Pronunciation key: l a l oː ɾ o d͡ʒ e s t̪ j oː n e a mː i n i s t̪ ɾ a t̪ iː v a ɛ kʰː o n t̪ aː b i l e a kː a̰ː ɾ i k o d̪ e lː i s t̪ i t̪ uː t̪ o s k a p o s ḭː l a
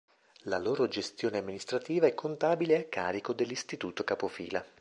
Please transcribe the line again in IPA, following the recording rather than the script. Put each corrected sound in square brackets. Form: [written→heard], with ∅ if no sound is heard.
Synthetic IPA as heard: l a l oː ɾ o d͡ʒ e s t̪ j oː n e a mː i n i s t̪ ɾ a t̪ iː v a ɛ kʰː o n t̪ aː b i l e a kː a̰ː ɾ i k o d̪ e lː i s t̪ i t̪ uː t̪ o [s→∅] k a p o [s→f] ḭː l a